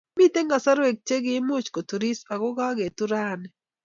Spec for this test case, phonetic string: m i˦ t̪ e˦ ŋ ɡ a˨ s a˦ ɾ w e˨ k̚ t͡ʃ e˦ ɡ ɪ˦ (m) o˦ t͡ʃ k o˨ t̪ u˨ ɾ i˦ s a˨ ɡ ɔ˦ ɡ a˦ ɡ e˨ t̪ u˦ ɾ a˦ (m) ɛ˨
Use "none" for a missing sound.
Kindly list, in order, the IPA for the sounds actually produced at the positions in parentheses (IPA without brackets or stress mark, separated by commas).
m, n